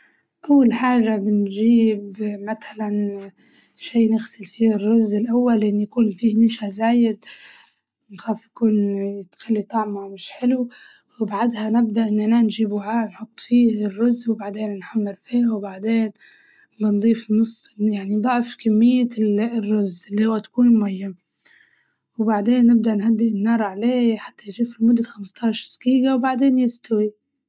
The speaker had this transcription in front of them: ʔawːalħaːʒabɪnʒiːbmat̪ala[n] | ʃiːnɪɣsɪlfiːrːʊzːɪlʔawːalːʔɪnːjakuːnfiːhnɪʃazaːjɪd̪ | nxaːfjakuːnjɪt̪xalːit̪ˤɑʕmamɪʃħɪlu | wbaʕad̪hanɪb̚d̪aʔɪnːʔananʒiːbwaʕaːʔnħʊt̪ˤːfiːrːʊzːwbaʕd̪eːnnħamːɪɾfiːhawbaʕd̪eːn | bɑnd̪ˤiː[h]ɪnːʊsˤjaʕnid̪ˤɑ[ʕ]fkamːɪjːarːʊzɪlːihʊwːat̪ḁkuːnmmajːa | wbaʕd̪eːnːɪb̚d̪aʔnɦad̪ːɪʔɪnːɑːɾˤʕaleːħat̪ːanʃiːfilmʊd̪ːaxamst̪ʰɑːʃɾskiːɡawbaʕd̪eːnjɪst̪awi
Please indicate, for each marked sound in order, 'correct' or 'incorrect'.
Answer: correct, incorrect, correct

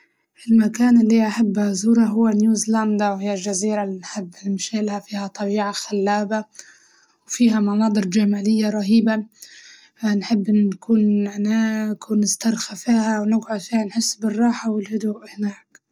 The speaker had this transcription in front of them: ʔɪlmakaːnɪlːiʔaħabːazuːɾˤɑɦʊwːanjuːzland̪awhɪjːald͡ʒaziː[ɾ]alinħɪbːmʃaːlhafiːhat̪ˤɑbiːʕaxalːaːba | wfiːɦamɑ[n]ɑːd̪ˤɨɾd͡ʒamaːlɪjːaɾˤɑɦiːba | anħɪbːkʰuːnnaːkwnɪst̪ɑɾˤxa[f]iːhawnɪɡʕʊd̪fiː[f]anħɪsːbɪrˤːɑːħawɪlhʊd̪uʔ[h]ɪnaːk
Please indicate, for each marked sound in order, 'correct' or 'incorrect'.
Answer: correct, correct, correct, incorrect, correct

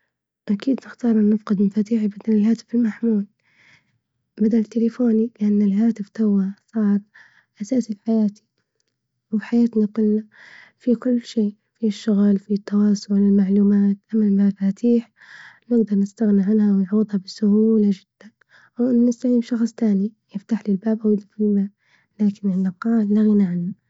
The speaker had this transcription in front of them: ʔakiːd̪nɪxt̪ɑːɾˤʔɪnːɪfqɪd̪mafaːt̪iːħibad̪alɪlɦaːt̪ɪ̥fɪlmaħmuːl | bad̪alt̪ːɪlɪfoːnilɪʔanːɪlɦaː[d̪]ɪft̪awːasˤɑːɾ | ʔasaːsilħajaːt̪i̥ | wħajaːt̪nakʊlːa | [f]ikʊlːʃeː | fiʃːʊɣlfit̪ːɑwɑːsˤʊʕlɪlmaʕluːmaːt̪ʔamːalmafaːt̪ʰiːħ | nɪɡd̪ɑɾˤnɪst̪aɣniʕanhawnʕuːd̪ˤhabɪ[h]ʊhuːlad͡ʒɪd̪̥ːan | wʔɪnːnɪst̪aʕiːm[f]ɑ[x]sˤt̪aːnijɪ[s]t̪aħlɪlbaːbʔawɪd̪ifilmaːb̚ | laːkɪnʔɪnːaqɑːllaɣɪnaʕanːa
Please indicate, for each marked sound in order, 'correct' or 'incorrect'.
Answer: incorrect, correct, incorrect, incorrect, correct, incorrect

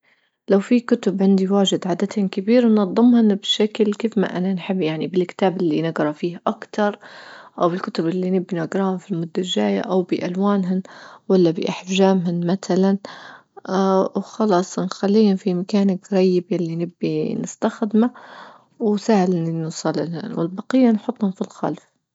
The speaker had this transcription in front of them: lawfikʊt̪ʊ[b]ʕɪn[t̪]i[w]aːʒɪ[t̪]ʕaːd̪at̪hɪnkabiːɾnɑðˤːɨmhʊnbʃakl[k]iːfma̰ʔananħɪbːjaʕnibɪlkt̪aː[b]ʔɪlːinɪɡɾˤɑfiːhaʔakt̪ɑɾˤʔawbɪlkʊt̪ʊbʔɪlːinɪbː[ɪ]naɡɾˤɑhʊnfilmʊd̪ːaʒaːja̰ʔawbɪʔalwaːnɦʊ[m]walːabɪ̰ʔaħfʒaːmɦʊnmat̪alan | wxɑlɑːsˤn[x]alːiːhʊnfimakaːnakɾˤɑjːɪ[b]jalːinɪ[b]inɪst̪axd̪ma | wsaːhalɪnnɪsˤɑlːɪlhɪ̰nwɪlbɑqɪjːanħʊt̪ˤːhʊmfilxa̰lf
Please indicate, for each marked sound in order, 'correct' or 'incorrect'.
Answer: correct, incorrect, correct, incorrect, correct, correct, incorrect, incorrect, correct, correct, incorrect

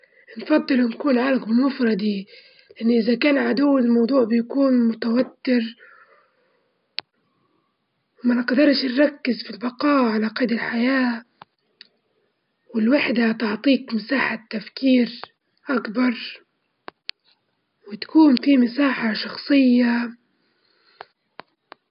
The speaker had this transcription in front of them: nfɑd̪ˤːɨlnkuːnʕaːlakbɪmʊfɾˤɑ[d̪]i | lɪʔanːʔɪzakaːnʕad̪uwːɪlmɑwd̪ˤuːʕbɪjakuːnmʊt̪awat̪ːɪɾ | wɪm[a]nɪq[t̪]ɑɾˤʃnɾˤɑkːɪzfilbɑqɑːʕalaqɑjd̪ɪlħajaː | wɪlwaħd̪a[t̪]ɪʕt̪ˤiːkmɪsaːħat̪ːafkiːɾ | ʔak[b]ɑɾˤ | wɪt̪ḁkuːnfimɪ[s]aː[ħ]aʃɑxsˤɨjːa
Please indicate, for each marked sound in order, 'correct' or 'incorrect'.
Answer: correct, correct, incorrect, correct, correct, correct, correct

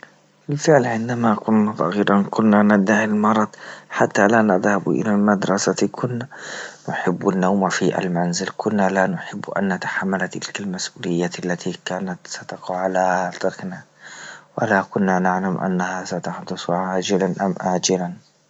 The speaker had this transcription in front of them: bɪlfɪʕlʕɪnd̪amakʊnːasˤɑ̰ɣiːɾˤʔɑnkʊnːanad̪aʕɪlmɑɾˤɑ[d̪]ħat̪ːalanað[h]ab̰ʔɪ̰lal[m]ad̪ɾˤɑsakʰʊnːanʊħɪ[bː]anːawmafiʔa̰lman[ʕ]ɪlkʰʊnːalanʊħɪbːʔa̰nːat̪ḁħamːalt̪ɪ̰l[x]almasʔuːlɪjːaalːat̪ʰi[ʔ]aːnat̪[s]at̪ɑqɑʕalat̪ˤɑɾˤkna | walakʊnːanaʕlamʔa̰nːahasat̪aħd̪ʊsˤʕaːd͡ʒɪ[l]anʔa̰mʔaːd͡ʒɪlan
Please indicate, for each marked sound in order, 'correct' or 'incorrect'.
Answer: correct, correct, correct, correct, incorrect, incorrect, incorrect, correct, correct

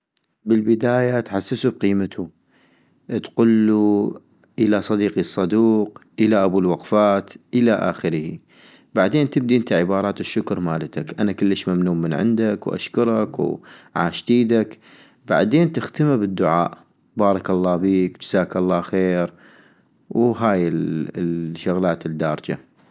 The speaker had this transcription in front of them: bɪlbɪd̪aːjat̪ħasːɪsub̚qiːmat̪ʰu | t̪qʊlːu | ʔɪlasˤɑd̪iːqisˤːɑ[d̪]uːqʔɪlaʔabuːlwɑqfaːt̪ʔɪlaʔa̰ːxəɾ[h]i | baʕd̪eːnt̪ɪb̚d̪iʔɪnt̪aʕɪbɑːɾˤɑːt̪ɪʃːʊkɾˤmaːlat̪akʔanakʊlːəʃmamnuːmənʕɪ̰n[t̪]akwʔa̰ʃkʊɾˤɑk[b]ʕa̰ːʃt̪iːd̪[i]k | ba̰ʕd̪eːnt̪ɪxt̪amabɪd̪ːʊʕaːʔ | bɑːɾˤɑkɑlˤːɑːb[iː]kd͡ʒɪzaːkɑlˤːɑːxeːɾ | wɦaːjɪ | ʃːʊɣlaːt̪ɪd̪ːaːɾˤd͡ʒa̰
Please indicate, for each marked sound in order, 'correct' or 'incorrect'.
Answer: correct, correct, incorrect, incorrect, incorrect, correct

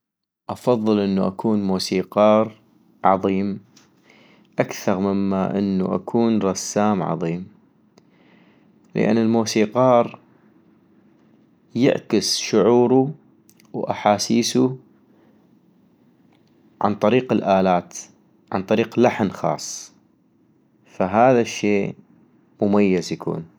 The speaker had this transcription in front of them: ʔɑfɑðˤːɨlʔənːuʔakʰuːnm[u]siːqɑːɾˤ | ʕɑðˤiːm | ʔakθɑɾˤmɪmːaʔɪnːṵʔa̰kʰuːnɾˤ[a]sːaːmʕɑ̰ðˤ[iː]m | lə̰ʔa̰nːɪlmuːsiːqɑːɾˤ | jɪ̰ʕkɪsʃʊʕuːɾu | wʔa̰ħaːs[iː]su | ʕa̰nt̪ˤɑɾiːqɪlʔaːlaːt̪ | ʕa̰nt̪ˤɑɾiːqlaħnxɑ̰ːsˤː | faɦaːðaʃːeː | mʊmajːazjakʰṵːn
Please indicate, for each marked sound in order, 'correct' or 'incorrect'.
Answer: incorrect, incorrect, correct, correct

